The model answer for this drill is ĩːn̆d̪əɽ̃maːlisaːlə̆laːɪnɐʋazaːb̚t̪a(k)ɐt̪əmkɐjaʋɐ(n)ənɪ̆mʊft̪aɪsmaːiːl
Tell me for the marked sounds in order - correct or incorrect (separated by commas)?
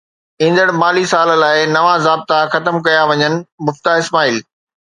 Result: incorrect, incorrect